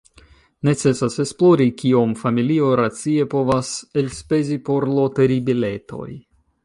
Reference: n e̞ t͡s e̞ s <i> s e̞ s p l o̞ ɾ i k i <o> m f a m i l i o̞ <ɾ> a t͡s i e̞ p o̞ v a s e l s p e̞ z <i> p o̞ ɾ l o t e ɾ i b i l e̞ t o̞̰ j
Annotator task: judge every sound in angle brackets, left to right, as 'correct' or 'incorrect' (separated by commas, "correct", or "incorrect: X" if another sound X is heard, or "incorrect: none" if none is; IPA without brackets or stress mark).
incorrect: a, correct, correct, correct